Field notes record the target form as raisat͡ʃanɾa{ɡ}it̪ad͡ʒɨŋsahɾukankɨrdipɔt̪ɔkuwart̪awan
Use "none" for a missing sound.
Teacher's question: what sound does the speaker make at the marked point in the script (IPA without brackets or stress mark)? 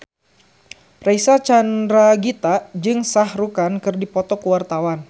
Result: ɡ